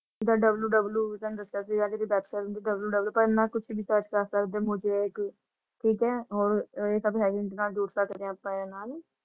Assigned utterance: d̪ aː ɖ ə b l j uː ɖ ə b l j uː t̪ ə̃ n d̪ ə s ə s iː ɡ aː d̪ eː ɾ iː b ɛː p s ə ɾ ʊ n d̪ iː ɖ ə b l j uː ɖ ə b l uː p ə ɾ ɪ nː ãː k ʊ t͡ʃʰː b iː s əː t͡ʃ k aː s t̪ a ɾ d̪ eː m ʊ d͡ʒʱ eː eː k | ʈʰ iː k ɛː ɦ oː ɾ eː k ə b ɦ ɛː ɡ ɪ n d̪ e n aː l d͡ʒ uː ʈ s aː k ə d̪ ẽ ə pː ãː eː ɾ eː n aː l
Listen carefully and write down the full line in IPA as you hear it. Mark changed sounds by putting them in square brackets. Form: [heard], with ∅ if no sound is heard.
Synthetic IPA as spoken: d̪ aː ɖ ə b l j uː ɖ ə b l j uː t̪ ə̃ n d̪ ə s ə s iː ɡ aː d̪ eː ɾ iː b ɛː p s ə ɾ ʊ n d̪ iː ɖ ə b l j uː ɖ ə b l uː p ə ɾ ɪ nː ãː k ʊ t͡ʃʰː b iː s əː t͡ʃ k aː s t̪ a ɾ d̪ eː m ʊ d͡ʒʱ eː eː k | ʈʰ iː k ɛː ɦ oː ɾ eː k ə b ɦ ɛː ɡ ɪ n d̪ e n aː l d͡ʒ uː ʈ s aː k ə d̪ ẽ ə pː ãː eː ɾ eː n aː l